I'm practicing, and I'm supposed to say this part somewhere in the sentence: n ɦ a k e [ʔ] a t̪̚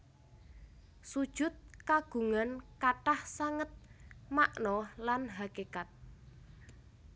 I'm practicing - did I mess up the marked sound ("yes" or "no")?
yes